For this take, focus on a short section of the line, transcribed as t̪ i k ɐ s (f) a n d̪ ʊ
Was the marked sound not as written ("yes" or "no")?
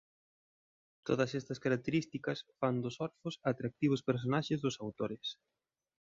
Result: no